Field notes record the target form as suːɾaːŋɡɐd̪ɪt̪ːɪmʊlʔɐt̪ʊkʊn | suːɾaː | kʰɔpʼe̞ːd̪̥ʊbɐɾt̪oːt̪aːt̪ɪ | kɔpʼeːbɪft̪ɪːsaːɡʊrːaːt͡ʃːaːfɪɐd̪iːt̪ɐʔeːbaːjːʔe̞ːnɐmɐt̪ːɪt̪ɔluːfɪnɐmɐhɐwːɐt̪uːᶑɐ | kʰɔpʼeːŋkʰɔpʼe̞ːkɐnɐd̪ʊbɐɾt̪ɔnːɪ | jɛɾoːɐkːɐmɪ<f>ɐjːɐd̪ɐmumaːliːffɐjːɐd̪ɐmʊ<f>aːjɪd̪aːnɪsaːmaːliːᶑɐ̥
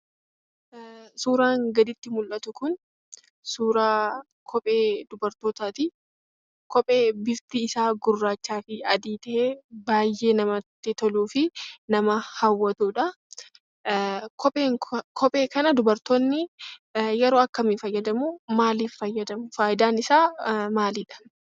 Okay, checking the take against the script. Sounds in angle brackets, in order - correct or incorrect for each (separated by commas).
correct, correct